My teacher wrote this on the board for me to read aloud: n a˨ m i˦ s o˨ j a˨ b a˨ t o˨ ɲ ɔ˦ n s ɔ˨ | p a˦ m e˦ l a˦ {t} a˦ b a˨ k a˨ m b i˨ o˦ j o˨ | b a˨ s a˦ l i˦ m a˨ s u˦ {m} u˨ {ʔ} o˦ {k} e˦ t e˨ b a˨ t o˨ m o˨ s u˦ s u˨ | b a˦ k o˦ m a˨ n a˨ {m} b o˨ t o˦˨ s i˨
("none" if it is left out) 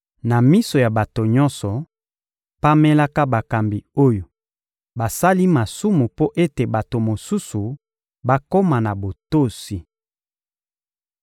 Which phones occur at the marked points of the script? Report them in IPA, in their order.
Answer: k, m, p, ʔ, none

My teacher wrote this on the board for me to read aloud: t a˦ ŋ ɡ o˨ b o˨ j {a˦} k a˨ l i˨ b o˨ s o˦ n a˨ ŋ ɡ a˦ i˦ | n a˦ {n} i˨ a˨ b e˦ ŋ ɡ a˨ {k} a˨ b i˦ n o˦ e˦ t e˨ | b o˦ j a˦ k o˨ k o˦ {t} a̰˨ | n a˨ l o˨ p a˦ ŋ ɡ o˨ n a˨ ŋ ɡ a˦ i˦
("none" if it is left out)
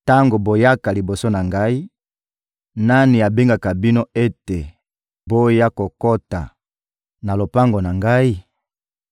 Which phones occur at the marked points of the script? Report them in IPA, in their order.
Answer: a˦, n, k, t

